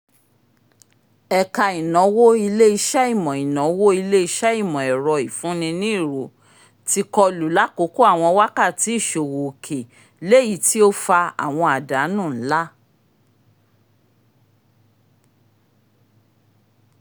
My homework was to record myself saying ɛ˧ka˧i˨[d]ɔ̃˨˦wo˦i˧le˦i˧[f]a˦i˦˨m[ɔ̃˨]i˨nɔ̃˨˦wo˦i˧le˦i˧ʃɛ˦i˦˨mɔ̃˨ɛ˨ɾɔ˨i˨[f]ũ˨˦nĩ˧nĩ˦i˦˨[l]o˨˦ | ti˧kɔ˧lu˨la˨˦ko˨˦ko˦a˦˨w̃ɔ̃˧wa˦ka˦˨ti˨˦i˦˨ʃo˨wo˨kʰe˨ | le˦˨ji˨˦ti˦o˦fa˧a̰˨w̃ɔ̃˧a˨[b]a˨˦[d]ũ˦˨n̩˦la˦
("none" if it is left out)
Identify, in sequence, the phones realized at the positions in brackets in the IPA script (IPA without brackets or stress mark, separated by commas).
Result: n, ʃ, ɔ̃˨, f, ɾ, d, n